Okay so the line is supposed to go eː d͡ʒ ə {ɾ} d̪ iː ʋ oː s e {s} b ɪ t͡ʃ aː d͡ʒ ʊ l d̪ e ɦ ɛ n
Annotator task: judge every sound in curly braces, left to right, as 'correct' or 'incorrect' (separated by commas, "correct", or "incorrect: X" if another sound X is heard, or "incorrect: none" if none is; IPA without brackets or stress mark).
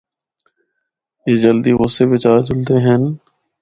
incorrect: l, incorrect: none